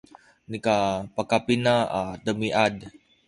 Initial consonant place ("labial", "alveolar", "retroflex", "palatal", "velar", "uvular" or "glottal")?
alveolar